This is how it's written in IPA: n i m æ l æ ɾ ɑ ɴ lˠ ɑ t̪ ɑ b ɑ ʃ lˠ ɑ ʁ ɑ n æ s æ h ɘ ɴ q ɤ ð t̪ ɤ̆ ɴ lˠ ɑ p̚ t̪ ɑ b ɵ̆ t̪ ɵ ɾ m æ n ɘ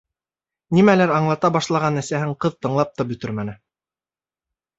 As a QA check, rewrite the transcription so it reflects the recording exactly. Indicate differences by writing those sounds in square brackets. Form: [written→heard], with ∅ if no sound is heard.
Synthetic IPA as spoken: n i m æ l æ ɾ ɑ ɴ lˠ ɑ t̪ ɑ b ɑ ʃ lˠ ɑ ʁ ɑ n æ s æ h ɘ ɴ q ɤ ð t̪ ɤ̆ ɴ lˠ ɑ p̚ t̪ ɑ b ɵ̆ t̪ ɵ ɾ m æ n ɘ